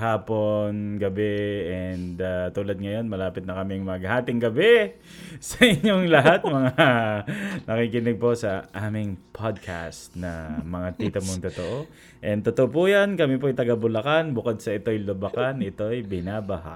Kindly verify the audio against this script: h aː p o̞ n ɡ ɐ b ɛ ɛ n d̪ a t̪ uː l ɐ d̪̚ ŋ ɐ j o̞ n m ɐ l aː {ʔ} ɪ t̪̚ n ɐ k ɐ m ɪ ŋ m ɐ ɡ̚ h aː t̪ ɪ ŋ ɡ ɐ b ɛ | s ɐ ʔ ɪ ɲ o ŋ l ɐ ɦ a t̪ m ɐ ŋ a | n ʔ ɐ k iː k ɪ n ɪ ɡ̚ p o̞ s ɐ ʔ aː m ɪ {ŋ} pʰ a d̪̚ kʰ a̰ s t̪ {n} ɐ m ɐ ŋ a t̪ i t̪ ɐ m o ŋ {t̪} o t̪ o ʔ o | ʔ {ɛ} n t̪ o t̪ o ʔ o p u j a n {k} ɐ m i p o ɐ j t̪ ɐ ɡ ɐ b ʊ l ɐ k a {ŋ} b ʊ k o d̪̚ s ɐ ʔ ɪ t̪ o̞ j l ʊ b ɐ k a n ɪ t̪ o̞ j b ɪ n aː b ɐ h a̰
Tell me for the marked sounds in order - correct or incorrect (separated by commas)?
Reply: incorrect, correct, correct, correct, correct, correct, incorrect